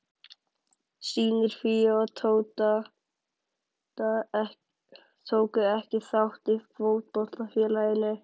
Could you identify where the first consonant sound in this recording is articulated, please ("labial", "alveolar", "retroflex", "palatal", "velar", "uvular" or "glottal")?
alveolar